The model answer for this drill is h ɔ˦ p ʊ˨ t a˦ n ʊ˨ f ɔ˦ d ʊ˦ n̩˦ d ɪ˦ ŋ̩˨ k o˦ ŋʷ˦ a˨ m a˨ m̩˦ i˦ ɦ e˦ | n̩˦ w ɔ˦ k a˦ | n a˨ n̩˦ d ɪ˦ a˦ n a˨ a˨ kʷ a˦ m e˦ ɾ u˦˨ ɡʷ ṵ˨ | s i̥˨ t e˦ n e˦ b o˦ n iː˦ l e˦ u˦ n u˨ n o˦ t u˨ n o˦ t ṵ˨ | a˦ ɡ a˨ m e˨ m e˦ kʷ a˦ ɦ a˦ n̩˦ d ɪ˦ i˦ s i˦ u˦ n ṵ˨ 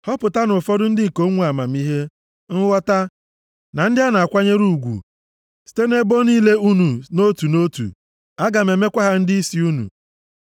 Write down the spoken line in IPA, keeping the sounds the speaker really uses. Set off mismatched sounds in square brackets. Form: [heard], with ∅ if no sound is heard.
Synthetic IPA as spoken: h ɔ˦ p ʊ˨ t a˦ n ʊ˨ f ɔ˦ d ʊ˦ n̩˦ d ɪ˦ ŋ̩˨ k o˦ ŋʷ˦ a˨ m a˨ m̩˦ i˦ ɦ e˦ | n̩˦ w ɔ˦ [t] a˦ | n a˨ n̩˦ d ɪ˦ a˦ n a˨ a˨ kʷ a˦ [ɲ] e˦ ɾ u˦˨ ɡʷ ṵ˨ | s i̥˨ t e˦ n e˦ b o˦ n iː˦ l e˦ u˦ n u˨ n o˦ t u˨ n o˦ t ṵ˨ | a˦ ɡ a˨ m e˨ m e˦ kʷ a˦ ɦ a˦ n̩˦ d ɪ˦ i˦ s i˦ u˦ n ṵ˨